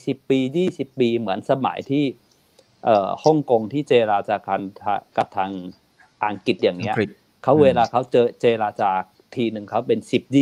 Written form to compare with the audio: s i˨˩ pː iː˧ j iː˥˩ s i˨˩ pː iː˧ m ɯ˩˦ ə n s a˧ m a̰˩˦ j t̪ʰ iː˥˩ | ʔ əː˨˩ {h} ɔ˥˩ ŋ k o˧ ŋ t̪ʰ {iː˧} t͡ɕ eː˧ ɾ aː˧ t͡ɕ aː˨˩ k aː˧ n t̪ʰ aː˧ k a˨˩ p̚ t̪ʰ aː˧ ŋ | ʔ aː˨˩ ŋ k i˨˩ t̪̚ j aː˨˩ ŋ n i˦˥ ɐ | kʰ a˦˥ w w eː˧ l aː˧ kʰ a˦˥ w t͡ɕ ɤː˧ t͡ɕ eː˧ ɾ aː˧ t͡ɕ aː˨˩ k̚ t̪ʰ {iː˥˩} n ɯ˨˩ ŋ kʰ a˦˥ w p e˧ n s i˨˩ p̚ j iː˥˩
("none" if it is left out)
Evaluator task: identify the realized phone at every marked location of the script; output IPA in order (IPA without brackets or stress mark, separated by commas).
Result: h, iː˥˩, iː˧